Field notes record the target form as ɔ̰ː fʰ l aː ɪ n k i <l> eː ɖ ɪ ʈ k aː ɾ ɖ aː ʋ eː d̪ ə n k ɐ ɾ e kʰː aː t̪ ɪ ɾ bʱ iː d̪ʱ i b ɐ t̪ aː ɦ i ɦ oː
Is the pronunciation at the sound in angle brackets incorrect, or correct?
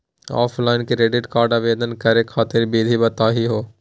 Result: incorrect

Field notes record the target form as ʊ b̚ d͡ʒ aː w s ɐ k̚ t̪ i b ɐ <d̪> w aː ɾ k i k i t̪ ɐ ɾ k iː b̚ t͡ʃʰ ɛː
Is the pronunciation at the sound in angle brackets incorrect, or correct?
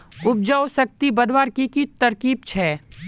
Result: correct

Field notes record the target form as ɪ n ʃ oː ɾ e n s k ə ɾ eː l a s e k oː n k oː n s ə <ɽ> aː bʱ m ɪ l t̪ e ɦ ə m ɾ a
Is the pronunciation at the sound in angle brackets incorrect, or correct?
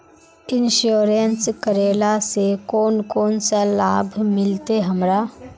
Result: incorrect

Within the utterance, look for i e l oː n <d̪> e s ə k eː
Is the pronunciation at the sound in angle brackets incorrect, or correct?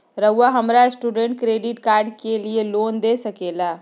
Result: correct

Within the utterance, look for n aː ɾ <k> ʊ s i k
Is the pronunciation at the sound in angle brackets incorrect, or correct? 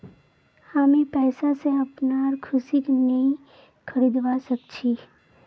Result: incorrect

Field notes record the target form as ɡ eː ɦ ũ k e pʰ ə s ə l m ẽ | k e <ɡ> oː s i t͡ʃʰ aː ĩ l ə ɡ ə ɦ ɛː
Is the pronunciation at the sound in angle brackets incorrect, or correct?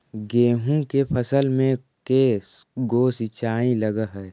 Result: correct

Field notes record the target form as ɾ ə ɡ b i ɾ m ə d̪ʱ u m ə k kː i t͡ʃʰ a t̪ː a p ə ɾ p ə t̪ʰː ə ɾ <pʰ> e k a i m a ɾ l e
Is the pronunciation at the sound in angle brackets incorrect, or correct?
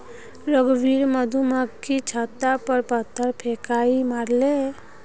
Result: correct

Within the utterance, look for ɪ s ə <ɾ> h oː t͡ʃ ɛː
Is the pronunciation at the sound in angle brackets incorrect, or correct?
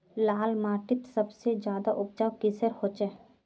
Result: correct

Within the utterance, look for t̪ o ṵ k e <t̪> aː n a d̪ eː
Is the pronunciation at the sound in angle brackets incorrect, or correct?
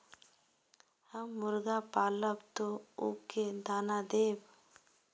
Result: incorrect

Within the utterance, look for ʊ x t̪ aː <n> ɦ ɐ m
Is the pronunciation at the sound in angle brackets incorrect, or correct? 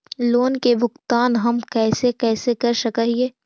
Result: correct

